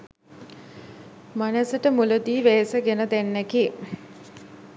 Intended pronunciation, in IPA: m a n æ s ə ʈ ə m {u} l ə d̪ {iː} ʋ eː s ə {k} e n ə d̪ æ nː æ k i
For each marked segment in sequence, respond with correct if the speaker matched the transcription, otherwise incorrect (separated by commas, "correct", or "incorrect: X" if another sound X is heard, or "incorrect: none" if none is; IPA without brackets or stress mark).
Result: correct, correct, incorrect: ɡ